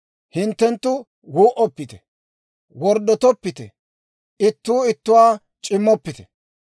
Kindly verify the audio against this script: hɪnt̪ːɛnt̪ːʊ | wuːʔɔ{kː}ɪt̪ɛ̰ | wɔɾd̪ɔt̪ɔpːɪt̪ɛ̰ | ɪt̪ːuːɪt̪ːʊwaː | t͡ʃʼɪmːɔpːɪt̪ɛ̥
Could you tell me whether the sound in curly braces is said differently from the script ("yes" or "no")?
yes